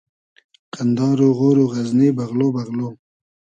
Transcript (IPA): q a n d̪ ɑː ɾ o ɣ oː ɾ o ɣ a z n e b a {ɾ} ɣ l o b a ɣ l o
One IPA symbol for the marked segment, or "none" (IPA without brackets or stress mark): none